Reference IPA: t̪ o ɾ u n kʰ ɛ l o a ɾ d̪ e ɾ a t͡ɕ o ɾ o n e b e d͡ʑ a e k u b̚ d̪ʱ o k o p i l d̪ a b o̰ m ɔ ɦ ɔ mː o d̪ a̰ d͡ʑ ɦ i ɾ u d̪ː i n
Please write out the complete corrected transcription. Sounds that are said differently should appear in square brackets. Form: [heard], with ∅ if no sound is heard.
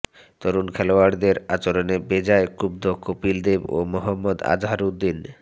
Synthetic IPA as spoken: t̪ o ɾ u n kʰ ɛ l o a ɾ d̪ e ɾ a t͡ɕ o ɾ o n e b e d͡ʑ a e k u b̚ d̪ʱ o k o p i l d̪ [e] b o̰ m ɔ ɦ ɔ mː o d̪ a̰ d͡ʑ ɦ [a] ɾ u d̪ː i n